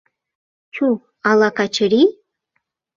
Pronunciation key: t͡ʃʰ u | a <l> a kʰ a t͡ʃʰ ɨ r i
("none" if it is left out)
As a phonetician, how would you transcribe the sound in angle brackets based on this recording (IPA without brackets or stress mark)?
l